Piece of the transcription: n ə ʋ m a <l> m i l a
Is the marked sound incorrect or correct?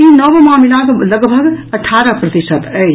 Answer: incorrect